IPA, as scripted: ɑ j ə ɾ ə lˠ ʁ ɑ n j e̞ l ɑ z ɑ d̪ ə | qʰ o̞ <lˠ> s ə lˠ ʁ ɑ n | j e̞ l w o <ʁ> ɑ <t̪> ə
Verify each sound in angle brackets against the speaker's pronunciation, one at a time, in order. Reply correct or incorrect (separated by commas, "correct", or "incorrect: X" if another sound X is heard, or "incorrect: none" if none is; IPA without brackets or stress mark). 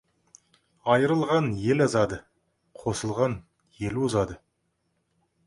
incorrect: none, incorrect: z, incorrect: d̪